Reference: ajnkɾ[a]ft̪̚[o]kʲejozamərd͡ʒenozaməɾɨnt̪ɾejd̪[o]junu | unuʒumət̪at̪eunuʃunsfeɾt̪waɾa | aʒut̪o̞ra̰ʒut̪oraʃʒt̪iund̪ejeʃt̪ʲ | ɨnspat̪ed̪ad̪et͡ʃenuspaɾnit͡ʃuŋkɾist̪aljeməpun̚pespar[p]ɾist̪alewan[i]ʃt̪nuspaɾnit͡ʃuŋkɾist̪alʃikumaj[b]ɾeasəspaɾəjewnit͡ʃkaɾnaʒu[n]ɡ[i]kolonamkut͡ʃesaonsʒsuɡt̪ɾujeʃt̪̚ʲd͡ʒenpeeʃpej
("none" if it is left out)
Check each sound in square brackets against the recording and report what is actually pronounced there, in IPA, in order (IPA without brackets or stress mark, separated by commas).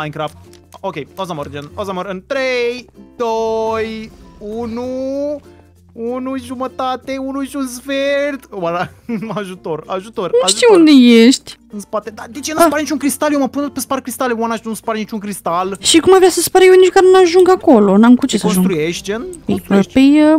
a, o, o, k, a, v, ŋ, a